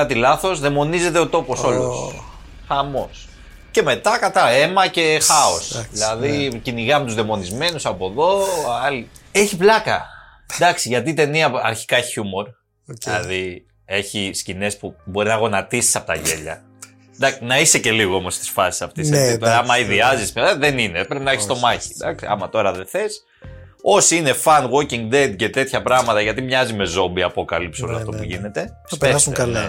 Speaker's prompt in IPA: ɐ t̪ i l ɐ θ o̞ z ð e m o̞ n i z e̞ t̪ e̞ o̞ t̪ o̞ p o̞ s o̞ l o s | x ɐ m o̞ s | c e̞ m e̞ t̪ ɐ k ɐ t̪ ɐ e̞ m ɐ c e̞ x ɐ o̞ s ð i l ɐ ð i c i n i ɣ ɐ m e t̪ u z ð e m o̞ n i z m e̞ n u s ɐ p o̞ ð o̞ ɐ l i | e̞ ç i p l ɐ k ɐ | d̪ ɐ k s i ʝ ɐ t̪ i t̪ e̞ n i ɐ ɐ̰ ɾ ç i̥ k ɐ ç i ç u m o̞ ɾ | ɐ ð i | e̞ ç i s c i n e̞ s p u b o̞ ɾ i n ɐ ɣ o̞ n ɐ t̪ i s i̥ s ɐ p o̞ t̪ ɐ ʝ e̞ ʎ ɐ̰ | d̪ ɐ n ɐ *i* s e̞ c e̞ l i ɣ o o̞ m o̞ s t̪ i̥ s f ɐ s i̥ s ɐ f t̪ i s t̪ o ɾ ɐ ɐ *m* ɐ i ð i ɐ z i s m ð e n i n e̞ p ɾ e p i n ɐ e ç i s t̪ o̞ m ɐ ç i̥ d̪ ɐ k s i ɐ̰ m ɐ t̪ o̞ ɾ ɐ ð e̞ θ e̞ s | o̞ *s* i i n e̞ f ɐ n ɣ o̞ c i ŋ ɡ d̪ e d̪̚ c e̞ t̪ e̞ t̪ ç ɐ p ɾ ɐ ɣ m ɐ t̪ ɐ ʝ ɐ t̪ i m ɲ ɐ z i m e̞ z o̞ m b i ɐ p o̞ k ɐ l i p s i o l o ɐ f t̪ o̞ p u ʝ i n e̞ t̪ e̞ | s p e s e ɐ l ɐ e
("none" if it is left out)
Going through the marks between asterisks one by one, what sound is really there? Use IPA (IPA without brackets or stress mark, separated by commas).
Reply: i, m, s